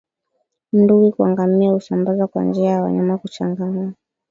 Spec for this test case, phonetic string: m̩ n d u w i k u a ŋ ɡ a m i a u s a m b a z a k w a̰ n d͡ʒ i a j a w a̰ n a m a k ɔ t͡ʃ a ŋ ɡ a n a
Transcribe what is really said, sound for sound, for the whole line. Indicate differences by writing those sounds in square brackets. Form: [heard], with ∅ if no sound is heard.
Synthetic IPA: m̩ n d u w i k u a ŋ ɡ a m i a u s a m b a z a k w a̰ n d͡ʒ i a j a w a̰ [ɲ] a m a k [u] t͡ʃ a ŋ ɡ a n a